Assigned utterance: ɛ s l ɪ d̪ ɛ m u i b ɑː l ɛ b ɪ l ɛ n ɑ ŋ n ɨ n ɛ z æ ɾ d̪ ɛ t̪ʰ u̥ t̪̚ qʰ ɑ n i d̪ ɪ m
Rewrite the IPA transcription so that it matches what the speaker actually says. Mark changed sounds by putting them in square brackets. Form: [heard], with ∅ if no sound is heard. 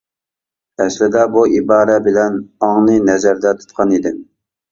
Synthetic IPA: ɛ s l ɪ d̪ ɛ [b] u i b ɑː [ɾ] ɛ b ɪ l ɛ n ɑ ŋ n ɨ n ɛ z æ ɾ d̪ ɛ t̪ʰ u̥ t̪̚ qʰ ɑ n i d̪ ɪ m

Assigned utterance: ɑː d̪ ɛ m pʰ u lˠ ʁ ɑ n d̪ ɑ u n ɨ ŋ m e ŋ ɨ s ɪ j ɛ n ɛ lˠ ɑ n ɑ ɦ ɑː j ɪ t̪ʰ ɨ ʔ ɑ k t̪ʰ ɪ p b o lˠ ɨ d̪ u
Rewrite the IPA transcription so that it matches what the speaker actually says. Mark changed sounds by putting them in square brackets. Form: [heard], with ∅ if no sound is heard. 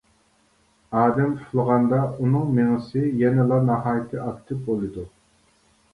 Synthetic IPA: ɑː d̪ ɛ m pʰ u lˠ ʁ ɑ n d̪ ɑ u n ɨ ŋ m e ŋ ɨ s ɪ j ɛ n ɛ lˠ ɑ n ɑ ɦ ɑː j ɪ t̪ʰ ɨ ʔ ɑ k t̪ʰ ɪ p b o lˠ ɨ d̪ u

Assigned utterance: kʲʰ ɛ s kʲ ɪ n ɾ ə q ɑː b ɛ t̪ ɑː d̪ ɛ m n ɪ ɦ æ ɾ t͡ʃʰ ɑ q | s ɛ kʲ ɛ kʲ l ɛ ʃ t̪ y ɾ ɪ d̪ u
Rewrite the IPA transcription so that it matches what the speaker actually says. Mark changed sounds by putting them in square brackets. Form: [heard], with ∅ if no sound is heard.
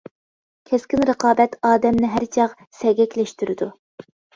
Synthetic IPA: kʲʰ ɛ s kʲ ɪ n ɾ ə q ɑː b ɛ t̪ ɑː d̪ ɛ m n ɪ ɦ æ ɾ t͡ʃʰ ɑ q | s ɛ [ɡʲ] ɛ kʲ l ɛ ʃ t̪ y ɾ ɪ d̪ u

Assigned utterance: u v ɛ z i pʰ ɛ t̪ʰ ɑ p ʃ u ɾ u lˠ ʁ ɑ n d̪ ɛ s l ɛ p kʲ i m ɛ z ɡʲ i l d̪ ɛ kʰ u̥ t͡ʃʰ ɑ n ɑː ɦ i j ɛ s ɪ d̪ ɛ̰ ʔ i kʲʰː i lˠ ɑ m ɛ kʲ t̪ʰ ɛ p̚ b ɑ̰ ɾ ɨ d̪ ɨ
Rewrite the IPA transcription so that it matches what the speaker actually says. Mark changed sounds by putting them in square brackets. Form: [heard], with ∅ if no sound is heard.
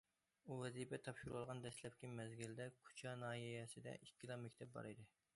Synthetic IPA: u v ɛ z i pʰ ɛ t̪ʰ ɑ p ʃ u ɾ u lˠ ʁ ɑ n d̪ ɛ s l ɛ p kʲ i m ɛ z ɡʲ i l d̪ ɛ kʰ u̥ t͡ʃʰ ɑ n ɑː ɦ i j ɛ s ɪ d̪ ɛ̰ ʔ i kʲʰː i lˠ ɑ m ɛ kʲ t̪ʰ ɛ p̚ b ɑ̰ ɾ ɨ d̪ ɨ

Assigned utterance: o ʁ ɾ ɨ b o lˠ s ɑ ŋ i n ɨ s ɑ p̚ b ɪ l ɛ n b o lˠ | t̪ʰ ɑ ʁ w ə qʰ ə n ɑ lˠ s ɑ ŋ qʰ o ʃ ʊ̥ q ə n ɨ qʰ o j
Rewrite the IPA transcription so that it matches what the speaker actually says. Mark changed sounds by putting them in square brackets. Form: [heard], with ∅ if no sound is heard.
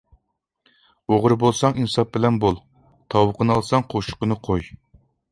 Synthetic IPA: o ʁ ɾ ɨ b o lˠ s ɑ ŋ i n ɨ s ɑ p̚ b ɪ l ɛ n b o lˠ | t̪ʰ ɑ [∅] w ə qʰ ə n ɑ lˠ s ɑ ŋ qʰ o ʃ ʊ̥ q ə n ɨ qʰ o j

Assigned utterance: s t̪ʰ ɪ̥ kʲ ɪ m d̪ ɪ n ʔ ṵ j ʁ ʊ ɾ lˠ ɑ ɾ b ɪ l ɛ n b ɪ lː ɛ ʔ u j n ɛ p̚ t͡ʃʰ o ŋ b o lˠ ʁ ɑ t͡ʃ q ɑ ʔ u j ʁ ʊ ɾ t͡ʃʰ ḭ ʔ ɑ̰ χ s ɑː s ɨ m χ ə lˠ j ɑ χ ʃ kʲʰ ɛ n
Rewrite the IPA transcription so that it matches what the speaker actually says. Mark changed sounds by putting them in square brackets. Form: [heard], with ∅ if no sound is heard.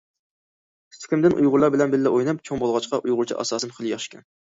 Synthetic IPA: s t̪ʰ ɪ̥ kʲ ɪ m d̪ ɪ n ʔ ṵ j ʁ ʊ ɾ lˠ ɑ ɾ b ɪ l ɛ n b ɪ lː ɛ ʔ [o] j n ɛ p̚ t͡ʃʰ o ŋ b o lˠ ʁ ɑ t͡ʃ q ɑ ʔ u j ʁ ʊ ɾ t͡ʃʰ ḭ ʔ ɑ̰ [∅] s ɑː s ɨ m χ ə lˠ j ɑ χ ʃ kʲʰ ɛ n

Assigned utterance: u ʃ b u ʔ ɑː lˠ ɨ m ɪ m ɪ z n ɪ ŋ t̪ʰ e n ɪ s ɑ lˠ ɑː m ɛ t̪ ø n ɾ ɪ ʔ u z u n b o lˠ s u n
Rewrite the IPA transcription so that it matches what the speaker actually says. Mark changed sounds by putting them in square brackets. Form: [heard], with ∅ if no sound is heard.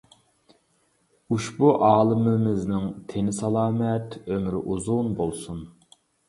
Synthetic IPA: u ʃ b u ʔ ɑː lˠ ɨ m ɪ m ɪ z n ɪ ŋ t̪ʰ e n ɪ s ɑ lˠ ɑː m ɛ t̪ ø [m] ɾ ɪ ʔ u z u n b o lˠ s u n

